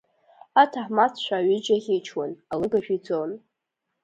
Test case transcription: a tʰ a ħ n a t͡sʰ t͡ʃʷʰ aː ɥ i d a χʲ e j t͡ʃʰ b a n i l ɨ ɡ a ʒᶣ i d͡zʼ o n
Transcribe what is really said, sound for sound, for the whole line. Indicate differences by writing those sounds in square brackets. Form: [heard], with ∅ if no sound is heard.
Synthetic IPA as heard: a tʰ a ħ [m] a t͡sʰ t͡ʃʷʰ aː ɥ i [d͡ʒ] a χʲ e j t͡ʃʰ [w] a n [a] l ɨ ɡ a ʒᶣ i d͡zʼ o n